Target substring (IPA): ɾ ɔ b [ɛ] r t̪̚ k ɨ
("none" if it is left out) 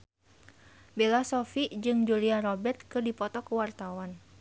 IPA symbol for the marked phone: ɛ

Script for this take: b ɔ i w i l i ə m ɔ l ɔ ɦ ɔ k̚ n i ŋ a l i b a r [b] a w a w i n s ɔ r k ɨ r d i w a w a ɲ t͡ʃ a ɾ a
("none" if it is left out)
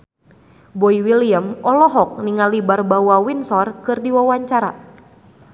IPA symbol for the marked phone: b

